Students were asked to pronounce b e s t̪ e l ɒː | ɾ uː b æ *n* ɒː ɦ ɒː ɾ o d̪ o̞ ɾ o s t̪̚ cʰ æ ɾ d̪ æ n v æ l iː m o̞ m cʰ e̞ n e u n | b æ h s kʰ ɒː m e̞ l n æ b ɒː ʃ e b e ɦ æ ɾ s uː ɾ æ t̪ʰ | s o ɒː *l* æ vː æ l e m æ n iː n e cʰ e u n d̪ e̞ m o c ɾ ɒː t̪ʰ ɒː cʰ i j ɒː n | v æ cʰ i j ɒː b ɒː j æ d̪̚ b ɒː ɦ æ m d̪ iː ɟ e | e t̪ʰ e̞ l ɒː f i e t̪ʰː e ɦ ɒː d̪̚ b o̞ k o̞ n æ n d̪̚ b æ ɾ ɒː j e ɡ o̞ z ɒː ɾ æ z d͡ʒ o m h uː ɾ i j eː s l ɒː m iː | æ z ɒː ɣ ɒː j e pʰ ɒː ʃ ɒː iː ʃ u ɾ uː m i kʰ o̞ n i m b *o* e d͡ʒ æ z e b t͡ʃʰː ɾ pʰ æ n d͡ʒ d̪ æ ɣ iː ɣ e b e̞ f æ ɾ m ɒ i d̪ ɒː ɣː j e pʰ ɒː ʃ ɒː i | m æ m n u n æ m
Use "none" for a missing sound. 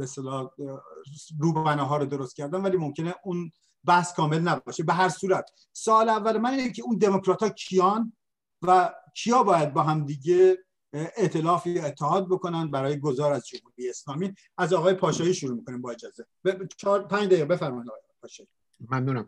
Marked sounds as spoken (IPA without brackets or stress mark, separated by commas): n, l, ɒ